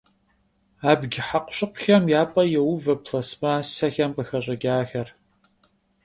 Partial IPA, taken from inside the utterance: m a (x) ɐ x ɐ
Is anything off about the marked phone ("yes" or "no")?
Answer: yes